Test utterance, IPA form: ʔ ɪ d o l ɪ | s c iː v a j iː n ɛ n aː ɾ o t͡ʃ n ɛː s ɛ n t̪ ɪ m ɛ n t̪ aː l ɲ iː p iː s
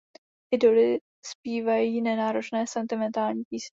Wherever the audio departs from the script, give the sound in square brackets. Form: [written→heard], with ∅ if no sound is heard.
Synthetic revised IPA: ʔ ɪ d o l ɪ | s [c→p] iː v a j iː n ɛ n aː ɾ o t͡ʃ n ɛː s ɛ n t̪ ɪ m ɛ n t̪ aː l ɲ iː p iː s